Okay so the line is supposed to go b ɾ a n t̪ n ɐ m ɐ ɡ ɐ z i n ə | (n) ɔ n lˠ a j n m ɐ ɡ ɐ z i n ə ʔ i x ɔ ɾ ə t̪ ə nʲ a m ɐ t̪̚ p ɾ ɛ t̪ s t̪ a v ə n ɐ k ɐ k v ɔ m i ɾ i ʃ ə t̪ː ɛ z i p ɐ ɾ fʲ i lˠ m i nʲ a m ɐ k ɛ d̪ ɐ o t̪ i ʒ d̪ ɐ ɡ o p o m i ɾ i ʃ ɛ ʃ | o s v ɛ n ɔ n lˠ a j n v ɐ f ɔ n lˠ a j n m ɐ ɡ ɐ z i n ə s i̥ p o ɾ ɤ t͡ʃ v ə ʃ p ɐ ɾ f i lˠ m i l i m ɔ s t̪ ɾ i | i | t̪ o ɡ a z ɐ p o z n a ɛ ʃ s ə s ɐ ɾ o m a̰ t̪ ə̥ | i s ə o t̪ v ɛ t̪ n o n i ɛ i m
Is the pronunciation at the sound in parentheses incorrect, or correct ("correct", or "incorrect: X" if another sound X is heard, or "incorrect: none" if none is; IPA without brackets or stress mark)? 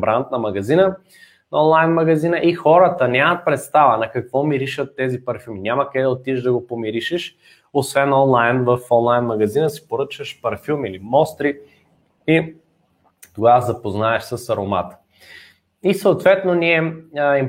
correct